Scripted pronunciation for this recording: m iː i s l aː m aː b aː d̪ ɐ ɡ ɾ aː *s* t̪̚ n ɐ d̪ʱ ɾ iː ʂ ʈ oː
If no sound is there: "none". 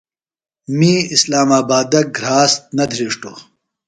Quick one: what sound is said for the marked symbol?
s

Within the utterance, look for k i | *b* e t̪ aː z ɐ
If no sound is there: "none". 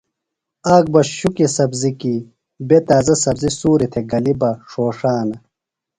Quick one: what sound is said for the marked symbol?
b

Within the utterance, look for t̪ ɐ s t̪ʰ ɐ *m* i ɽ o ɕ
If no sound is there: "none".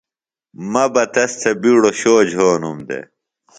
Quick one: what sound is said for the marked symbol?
b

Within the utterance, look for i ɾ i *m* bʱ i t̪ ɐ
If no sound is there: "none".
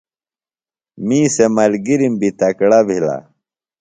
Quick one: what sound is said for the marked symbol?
m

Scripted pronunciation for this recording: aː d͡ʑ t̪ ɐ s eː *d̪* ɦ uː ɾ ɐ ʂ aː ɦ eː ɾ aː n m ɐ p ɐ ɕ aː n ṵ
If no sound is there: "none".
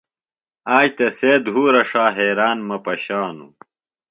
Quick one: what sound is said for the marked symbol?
d̪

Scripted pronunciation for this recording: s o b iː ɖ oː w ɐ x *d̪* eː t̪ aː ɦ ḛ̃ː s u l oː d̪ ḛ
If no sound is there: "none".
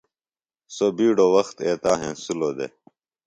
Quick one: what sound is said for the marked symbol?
t̪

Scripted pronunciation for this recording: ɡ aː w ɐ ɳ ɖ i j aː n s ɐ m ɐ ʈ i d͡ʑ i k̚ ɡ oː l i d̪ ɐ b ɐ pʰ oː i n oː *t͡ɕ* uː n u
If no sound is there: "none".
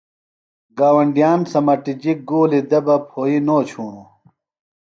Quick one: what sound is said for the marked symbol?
t͡ɕʰ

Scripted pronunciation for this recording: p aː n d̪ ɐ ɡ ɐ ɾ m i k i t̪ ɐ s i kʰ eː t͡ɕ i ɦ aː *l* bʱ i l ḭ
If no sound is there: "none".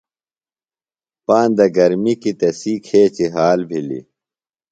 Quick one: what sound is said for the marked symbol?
l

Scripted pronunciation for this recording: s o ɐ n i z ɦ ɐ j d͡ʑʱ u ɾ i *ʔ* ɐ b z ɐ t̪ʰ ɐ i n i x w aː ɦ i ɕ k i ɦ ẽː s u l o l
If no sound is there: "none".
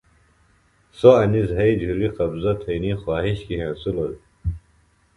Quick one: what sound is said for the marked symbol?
q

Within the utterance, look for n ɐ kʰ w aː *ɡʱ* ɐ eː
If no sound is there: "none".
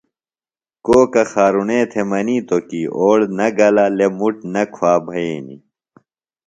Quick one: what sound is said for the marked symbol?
bʱ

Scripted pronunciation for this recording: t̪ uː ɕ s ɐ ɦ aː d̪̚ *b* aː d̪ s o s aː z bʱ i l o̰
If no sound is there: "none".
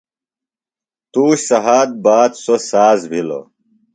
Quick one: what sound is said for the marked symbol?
b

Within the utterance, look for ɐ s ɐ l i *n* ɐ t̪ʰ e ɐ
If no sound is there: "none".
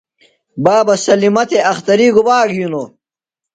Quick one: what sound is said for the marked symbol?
m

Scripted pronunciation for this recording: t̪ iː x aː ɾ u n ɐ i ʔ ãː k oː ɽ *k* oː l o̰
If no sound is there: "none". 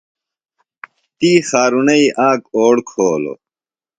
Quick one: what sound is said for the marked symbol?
kʰ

